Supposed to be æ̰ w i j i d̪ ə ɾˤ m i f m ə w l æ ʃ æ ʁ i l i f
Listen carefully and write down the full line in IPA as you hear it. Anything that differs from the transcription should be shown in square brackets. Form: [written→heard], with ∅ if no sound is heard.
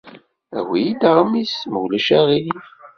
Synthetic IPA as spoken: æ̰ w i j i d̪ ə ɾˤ m i [f→s] m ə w l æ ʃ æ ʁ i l i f